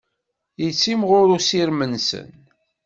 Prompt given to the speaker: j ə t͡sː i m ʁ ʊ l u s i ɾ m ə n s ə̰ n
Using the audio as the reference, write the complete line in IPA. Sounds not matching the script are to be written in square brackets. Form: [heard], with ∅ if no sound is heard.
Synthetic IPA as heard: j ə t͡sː i m ʁ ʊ [ɾ] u s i ɾ m ə n s ə̰ n